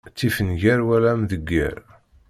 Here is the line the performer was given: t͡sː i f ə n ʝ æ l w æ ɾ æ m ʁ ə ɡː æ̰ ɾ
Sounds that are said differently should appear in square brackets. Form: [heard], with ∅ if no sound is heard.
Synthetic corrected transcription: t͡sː i f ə n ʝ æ [ɾ] w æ [l] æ m [ð] ə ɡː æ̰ ɾ